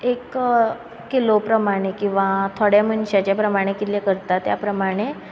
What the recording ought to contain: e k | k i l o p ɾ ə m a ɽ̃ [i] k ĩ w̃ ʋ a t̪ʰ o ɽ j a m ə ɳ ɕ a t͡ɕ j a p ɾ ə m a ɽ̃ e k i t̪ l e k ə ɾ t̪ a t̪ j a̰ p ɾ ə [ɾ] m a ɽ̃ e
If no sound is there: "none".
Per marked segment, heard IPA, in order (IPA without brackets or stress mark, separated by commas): e, none